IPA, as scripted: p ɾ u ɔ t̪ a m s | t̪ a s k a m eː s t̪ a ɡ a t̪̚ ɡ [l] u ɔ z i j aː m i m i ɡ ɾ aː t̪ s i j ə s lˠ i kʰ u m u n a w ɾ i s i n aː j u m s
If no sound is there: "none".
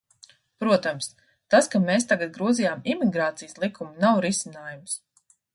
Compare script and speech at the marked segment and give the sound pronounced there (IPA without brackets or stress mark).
ɾ